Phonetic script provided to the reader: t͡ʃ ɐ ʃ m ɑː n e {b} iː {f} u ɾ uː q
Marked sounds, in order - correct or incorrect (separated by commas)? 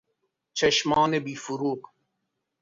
correct, correct